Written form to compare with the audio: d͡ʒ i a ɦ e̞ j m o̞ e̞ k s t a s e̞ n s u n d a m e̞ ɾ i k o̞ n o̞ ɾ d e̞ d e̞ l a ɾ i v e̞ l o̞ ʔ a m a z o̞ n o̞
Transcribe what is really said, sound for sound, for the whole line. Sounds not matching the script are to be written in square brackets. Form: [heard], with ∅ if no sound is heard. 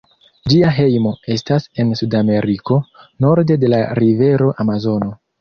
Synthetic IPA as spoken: d͡ʒ i a ɦ e̞ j m o̞ e̞ [∅] s t a s e̞ n s u [∅] d a m e̞ ɾ i k o̞ n o̞ ɾ d e̞ d e̞ l a ɾ i v e̞ [ɾ] o̞ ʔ a m a z o̞ n o̞

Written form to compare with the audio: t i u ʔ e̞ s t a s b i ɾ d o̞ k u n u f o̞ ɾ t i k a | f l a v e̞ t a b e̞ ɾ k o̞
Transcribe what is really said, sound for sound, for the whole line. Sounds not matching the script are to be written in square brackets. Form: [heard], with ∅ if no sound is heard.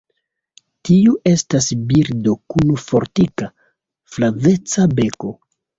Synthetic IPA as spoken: t i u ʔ e̞ s t a s b i ɾ d o̞ k u n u f o̞ ɾ t i k a | f l a v e̞ [t͡s] a b e̞ [∅] k o̞

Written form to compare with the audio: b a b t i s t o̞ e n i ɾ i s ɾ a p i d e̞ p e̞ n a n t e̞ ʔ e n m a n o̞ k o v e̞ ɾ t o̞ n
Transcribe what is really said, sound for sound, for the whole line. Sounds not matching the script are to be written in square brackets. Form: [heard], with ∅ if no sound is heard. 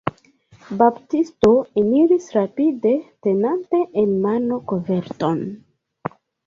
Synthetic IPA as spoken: b a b t i s t o̞ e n i ɾ i s ɾ a p i d e̞ [t] e̞ n a n t e̞ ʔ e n m a n o̞ k o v e̞ ɾ t o̞ n

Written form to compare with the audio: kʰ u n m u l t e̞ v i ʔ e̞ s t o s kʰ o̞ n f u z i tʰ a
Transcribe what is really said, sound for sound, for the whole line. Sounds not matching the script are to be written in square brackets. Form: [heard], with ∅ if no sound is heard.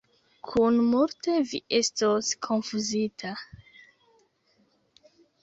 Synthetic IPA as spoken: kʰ u n m u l t e̞ v i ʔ e̞ s t o s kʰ o̞ n f u z i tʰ a

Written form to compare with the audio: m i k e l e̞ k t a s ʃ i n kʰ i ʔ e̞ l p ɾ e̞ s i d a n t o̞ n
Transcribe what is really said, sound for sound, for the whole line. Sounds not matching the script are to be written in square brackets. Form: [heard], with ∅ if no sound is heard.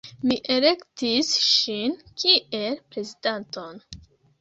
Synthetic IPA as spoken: m i [ʔ] e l e̞ k t [i] s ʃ i n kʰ i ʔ e̞ l p ɾ e̞ [z] i d a n t o̞ n

